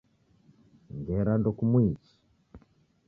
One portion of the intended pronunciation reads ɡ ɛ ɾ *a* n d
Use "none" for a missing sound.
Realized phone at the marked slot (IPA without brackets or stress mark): a